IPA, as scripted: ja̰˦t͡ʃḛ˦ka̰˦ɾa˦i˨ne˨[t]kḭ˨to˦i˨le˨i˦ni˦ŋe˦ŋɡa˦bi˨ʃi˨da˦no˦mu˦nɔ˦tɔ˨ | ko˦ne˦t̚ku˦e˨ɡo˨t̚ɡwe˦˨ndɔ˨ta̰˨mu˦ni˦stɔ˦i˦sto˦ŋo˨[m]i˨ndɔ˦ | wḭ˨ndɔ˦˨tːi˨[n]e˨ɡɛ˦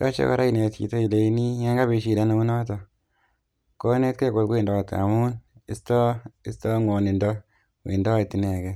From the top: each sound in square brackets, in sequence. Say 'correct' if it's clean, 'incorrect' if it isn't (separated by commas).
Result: correct, incorrect, correct